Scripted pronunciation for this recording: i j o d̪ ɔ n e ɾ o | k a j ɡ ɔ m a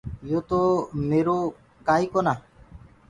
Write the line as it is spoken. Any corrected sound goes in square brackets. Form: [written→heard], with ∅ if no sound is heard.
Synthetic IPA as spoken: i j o [d̪→t̪] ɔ [n→m] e ɾ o | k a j [ɡ→k] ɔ [m→n] a